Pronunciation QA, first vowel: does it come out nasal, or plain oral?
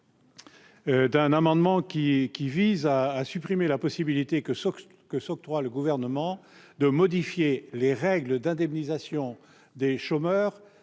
nasal